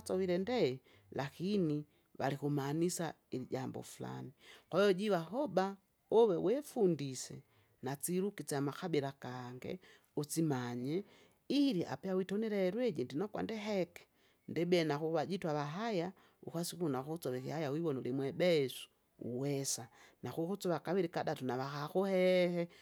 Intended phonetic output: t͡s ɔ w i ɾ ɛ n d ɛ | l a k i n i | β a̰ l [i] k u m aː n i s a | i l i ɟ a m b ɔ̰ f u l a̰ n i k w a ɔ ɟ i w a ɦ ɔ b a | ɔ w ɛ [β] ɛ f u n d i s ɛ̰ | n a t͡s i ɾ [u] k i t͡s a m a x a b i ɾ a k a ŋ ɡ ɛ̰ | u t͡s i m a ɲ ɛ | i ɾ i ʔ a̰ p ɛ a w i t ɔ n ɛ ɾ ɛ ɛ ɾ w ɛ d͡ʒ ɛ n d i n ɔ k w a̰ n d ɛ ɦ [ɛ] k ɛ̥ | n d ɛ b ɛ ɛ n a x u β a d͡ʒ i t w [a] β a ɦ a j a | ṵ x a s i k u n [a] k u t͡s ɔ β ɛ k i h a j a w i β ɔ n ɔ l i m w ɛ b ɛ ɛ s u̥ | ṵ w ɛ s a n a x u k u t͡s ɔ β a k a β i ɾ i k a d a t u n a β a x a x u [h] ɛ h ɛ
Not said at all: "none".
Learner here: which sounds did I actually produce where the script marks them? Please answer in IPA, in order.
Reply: i, w, u, ɛ, a, a, h

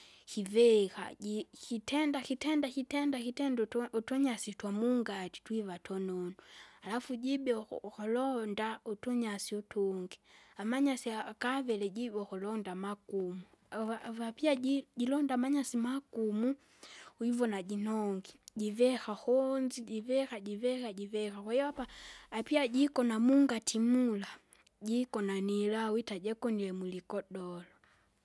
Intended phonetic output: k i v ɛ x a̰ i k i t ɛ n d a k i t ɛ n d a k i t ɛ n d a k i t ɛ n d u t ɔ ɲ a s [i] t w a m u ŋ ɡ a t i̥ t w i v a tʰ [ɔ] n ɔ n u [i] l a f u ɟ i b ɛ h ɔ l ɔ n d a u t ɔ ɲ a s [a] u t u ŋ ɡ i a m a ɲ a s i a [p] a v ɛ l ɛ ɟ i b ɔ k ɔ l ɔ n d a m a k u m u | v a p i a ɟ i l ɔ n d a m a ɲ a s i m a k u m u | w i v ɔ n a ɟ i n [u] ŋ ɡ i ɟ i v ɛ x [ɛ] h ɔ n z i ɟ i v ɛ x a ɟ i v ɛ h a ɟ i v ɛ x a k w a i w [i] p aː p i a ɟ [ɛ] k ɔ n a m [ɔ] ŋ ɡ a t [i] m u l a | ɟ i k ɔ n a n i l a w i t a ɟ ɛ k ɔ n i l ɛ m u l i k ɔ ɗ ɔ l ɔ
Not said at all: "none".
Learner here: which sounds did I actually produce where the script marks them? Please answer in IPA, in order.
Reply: i, ɔ, a, i, k, ɔ, a, a, i, u, i

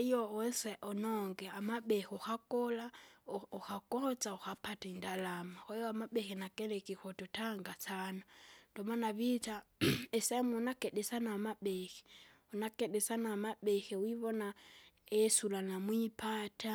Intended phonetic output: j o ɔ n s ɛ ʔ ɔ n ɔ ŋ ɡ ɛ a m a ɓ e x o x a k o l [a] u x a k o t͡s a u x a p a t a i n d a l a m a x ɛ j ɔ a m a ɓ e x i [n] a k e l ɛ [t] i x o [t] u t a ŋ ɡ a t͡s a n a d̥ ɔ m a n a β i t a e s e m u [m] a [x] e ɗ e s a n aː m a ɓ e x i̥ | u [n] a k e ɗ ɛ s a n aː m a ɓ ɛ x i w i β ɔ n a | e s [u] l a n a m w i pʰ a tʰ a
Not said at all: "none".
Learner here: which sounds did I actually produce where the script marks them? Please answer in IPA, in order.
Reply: a, n, k, t, n, k, n, u

